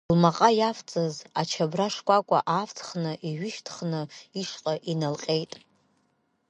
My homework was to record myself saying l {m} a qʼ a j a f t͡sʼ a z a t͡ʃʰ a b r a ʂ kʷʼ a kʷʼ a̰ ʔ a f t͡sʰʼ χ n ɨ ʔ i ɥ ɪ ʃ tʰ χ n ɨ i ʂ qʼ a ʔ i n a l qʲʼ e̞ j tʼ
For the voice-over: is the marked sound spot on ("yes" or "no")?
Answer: yes